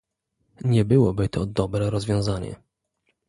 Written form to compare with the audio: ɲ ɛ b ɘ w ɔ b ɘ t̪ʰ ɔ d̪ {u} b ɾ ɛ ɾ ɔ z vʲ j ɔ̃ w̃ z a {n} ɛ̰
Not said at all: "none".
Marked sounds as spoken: ɔ, ɲ

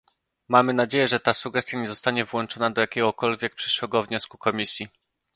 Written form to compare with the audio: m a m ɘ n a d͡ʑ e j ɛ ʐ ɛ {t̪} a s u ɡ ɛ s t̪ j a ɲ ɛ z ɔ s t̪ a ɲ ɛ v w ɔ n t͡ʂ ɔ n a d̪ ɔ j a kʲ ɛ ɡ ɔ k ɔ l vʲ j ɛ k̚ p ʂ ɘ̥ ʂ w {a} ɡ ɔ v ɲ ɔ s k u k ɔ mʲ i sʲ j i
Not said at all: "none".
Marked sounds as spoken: t̪, ɛ

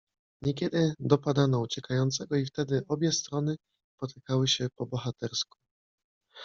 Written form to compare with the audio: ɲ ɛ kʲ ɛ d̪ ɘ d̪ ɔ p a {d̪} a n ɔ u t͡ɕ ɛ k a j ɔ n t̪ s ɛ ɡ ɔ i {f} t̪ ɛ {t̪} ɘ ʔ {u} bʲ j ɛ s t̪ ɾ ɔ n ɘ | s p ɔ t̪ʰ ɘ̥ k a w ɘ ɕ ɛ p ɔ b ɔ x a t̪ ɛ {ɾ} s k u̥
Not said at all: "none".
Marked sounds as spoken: d̪, f, d̪, ɔ, ɾ

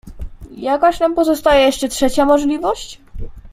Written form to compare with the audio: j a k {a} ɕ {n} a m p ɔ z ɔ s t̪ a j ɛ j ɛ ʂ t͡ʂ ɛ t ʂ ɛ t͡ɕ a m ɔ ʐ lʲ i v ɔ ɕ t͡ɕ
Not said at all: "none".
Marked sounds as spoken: a, n

